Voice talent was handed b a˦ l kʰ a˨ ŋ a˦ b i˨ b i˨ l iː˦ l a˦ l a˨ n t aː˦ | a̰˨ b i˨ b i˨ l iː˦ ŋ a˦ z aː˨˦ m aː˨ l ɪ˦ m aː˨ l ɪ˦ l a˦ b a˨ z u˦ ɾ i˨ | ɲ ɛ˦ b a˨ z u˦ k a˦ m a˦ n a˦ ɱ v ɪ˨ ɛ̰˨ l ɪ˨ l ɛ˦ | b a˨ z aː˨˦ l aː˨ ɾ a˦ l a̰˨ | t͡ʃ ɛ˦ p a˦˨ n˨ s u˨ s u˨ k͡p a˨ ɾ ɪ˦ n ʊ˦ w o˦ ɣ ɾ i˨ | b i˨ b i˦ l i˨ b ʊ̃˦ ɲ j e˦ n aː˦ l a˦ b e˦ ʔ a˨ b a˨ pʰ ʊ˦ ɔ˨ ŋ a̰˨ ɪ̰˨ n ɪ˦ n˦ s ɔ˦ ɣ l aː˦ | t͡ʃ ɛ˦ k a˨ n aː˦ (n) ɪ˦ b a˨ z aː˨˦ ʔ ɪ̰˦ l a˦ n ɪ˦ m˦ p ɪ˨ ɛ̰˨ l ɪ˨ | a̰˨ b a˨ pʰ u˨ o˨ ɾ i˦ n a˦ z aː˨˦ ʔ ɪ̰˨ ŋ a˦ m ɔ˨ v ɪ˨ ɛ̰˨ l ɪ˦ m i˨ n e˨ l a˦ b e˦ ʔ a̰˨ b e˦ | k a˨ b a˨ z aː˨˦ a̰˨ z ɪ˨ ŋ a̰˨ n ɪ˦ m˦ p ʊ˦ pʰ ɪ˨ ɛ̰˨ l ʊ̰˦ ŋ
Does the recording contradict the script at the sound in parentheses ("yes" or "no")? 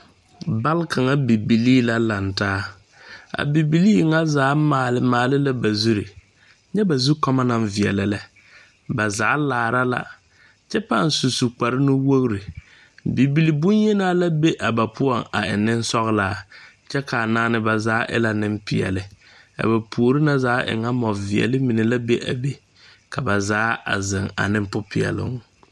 no